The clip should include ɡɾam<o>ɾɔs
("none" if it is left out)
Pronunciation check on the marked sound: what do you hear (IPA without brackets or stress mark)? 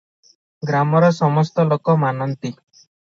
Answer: ɔ